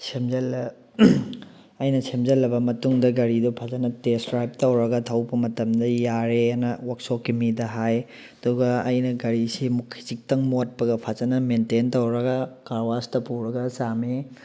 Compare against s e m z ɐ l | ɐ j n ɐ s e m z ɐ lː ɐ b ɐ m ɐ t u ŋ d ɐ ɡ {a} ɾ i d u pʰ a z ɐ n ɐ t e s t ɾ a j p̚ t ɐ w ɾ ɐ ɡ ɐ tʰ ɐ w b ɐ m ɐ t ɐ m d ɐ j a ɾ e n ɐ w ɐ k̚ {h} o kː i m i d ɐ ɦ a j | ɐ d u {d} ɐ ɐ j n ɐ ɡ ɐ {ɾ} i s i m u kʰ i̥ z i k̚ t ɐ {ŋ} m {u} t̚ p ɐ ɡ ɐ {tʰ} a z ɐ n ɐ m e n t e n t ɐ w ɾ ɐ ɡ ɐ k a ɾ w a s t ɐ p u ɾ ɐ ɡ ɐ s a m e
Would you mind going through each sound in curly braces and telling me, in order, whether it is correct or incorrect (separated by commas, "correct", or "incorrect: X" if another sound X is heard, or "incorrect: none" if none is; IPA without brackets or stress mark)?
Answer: incorrect: ɐ, incorrect: s, incorrect: ɡ, correct, correct, incorrect: o, incorrect: pʰ